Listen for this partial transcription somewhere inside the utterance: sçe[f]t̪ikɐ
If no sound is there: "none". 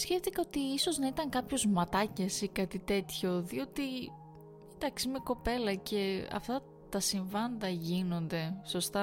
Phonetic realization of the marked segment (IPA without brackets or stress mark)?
f